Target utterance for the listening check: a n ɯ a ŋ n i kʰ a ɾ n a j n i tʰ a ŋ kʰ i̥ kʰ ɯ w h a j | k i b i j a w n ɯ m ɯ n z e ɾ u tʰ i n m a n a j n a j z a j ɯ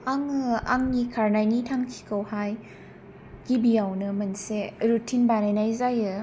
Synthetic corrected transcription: a ŋ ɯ a ŋ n i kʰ a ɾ n a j n i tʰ a ŋ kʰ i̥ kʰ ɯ w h a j | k i b i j a w n ɯ m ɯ n s e ɾ u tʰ i n b a n a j n a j z a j ɯ